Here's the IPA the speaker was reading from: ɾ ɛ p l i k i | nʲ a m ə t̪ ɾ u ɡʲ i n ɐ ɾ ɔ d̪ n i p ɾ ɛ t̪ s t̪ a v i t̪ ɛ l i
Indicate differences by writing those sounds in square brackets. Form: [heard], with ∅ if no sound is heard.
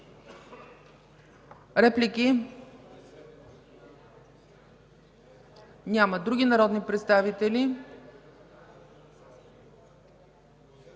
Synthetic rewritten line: ɾ ɛ p l i k i | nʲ a m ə [d̪] ɾ u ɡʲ i n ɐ ɾ ɔ d̪ n i p ɾ ɛ t̪ s t̪ a v i t̪ ɛ l i